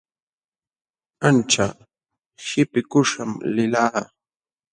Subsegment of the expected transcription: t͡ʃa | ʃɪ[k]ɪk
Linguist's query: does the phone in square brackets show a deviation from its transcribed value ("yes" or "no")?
yes